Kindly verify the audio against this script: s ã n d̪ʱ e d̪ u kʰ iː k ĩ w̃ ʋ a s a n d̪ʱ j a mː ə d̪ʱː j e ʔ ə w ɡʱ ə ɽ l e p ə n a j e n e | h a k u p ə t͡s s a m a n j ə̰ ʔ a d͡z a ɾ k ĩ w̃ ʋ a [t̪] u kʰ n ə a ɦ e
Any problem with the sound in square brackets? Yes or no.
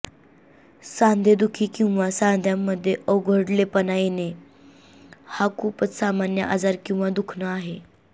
yes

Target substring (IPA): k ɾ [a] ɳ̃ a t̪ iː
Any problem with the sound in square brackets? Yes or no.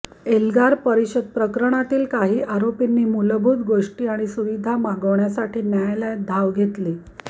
yes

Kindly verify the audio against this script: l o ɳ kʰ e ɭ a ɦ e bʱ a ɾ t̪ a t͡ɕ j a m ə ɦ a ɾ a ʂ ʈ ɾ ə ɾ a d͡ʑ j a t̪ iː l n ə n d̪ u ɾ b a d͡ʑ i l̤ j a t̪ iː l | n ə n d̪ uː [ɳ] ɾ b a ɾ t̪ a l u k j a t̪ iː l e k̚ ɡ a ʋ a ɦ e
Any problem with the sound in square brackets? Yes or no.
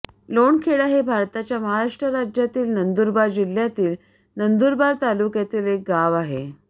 yes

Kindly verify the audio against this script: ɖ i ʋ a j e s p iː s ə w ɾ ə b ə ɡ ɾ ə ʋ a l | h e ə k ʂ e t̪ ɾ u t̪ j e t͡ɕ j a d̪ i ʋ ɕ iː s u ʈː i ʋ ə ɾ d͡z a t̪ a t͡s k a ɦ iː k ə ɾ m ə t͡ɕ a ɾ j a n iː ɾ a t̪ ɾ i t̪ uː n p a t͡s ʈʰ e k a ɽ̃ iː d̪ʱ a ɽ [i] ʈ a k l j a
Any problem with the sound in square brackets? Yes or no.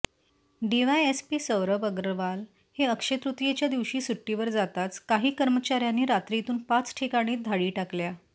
yes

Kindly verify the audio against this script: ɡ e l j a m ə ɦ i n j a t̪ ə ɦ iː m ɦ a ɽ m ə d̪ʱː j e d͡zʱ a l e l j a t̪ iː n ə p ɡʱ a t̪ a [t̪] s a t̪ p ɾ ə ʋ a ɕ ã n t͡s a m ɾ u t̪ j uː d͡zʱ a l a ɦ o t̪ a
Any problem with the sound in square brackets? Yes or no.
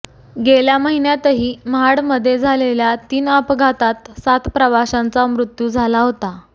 no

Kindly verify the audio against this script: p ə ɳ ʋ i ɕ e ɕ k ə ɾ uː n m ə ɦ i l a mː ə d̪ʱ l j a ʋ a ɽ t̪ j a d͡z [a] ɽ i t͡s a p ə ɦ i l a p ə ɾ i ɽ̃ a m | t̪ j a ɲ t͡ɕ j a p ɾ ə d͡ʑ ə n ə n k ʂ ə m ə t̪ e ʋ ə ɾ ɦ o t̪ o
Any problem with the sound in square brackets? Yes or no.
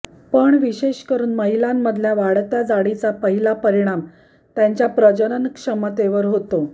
no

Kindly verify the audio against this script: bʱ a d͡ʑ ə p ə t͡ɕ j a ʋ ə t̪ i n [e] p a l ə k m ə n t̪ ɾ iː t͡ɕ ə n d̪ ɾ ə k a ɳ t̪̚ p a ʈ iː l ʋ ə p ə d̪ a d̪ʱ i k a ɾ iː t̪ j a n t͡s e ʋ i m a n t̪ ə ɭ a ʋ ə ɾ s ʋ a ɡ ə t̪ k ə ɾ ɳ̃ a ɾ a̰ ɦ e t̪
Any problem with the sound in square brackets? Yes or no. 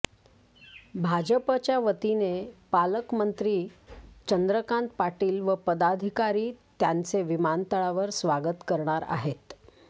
no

